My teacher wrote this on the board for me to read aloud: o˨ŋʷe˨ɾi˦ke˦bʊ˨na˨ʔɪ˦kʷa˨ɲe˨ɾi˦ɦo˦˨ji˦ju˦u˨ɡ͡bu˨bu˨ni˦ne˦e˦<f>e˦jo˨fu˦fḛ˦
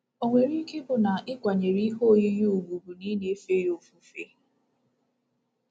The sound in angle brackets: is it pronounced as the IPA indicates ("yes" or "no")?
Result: yes